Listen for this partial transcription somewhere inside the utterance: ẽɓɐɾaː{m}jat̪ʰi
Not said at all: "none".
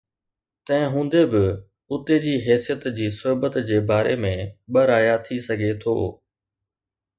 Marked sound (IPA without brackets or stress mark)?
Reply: none